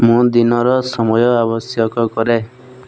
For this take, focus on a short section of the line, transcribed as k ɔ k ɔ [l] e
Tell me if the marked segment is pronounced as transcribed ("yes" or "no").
no